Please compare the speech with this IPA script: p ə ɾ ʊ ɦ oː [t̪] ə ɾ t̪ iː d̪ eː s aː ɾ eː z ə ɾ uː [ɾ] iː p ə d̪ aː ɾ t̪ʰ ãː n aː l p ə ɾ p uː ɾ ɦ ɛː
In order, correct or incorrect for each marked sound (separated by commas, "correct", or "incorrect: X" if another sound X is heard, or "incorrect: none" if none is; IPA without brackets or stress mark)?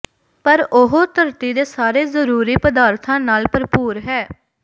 correct, correct